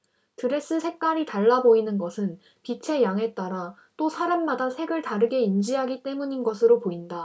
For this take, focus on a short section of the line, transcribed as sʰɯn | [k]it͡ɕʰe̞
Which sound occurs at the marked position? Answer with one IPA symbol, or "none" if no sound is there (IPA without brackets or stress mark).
p